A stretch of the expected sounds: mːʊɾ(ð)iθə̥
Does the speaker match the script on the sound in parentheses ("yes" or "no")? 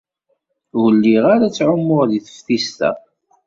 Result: yes